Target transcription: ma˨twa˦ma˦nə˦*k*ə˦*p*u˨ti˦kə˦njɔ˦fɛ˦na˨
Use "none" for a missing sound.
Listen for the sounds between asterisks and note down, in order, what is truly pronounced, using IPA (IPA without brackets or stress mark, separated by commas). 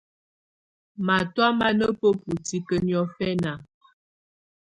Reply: p, p